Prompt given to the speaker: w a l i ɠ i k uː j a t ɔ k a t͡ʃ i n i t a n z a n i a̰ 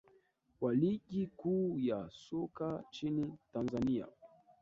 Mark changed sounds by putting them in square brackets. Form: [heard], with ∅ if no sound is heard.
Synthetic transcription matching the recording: w a l i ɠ i k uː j a [s] ɔ k a t͡ʃ i n i t a n z a n i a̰